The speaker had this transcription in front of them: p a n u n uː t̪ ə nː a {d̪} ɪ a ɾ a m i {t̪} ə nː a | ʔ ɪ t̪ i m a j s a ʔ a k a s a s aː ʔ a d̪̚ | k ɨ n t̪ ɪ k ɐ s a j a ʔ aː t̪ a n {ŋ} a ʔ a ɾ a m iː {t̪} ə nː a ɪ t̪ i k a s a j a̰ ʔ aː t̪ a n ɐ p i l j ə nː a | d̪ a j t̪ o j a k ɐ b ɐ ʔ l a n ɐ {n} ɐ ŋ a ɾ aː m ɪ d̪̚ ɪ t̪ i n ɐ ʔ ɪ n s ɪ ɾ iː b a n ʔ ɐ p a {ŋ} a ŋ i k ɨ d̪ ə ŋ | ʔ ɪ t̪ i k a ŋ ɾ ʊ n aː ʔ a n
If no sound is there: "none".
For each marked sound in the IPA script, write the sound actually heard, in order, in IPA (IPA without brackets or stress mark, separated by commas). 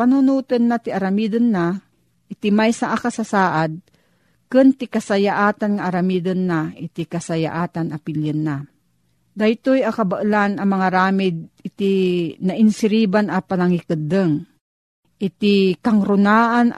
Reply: t̪, d̪, ŋ, d̪, m, n